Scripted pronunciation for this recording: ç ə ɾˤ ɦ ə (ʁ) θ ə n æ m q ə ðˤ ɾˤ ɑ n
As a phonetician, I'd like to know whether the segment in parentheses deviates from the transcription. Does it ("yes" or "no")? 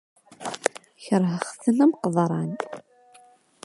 yes